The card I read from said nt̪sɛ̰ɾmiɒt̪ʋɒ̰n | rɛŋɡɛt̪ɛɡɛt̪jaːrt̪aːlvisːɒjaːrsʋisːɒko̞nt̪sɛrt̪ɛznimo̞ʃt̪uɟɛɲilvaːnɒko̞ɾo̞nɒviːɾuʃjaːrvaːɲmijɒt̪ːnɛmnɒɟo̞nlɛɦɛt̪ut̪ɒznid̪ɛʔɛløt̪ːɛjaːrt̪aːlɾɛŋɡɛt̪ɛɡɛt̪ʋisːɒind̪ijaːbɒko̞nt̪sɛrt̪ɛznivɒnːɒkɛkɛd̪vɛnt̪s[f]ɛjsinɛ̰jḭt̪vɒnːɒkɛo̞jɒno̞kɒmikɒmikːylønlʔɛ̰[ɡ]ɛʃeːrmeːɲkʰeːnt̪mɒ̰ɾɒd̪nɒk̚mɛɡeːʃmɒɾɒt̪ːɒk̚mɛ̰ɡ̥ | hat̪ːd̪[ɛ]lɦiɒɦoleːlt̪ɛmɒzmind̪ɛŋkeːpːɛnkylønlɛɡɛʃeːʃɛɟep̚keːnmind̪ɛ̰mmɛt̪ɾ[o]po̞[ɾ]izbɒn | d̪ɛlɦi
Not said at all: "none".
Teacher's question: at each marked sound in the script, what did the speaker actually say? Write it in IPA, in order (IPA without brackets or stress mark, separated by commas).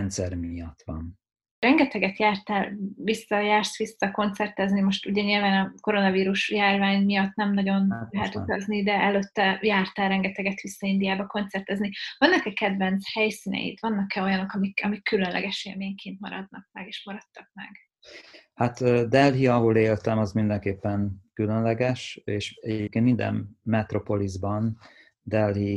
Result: h, ɡ, ɛ, o, l